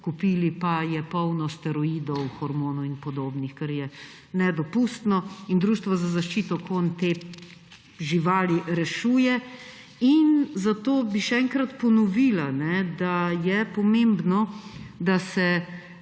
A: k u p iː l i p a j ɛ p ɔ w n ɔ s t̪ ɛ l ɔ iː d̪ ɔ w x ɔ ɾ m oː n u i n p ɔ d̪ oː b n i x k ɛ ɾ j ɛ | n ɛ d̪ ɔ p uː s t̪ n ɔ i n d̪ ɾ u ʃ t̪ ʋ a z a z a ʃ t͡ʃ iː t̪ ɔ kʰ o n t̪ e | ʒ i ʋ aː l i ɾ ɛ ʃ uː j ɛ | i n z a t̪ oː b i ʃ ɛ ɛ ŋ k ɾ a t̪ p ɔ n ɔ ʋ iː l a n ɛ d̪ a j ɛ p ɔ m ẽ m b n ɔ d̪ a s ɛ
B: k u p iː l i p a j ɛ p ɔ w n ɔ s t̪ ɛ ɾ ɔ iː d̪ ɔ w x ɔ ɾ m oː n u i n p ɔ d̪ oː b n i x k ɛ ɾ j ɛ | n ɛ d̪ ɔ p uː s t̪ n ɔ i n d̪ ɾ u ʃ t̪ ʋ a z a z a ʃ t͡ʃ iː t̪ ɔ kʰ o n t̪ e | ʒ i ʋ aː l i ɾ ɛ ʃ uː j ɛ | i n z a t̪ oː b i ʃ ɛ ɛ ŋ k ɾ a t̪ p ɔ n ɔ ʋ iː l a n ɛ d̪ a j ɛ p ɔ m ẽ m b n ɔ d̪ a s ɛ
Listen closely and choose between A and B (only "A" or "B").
B